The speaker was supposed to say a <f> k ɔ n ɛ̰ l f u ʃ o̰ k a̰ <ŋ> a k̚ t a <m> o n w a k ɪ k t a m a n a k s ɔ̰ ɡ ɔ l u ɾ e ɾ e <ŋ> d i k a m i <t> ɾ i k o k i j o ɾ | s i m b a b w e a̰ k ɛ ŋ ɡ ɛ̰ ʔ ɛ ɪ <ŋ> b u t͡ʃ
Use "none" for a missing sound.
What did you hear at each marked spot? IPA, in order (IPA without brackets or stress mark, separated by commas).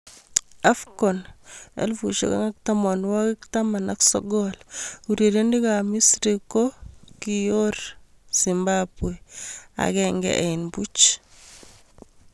f, ŋ, m, n, s, n